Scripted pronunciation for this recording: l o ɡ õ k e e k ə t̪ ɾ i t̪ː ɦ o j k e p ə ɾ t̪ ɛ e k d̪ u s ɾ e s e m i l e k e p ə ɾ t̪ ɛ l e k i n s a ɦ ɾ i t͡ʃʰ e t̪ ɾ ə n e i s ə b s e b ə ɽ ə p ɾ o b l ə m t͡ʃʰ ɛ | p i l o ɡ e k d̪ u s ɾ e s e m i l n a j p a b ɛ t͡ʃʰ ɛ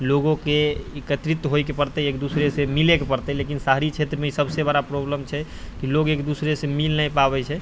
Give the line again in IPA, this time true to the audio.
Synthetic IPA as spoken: l o ɡ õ k e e k ə t̪ ɾ i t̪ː ɦ o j k e p ə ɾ t̪ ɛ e k d̪ u s ɾ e s e m i l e k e p ə ɾ t̪ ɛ l e k i n s a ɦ ɾ i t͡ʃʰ e t̪ ɾ ə m e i s ə b s e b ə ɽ a p ɾ o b l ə m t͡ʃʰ ɛ | k i l o ɡ e k d̪ u s ɾ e s e m i l n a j p a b ɛ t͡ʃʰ ɛ